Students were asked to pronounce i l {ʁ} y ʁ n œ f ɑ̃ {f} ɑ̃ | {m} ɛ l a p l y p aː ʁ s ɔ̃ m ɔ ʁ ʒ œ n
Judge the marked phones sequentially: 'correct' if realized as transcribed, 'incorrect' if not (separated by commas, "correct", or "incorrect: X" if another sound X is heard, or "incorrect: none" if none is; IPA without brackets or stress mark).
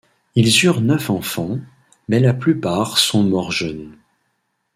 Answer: incorrect: z, correct, correct